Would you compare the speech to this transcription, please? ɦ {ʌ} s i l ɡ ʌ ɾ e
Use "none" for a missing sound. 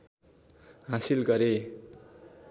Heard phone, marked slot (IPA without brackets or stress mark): a